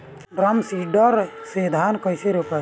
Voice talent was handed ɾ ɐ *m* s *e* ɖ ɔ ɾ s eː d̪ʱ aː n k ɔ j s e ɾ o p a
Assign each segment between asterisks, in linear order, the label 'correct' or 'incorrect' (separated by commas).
correct, incorrect